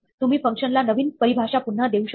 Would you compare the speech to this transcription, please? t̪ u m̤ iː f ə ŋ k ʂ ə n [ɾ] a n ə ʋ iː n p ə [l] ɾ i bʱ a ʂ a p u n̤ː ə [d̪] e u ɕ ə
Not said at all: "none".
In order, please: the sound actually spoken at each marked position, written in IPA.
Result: l, none, d̪

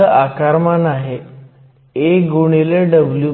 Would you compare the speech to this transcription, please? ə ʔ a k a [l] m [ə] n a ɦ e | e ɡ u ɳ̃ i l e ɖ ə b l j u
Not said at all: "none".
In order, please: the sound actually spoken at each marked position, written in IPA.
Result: ɾ, a

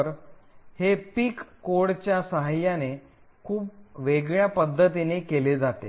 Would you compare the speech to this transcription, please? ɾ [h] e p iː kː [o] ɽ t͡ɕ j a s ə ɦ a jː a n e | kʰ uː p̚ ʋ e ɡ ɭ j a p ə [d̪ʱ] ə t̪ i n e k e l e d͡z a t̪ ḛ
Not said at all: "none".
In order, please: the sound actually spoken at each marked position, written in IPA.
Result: h, o, d̪ʱː

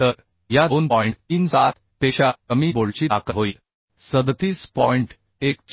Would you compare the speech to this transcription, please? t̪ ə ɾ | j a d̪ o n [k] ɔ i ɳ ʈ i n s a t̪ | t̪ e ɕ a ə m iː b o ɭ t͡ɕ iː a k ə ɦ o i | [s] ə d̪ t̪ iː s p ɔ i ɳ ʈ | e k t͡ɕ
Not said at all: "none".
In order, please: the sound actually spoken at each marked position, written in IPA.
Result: p, s

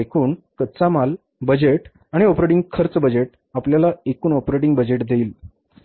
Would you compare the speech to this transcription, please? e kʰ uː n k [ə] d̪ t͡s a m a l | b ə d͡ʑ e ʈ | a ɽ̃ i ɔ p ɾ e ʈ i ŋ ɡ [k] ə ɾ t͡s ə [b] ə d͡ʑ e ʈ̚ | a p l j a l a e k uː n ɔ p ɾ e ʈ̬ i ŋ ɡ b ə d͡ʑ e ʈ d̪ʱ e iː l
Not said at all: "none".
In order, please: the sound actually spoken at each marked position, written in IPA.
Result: ə, kʰ, b

